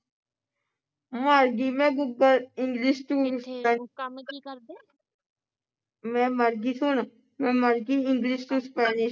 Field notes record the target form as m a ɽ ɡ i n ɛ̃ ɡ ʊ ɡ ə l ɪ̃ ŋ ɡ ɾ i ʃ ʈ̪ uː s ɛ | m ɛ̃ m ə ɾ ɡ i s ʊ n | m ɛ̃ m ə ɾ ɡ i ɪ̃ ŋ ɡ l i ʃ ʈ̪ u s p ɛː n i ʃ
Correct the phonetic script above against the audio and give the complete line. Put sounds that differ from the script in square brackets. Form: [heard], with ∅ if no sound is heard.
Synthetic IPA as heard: m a [ɾ] ɡ i [m] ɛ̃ ɡ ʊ ɡ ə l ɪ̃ ŋ ɡ [l] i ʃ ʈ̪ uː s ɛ | m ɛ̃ m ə ɾ ɡ i s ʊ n | m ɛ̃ m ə ɾ ɡ i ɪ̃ ŋ ɡ l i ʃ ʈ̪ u s p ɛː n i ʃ